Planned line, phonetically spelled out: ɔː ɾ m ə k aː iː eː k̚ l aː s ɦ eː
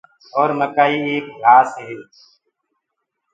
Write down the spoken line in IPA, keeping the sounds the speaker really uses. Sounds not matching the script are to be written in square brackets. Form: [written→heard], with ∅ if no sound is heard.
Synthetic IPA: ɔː ɾ m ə k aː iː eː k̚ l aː s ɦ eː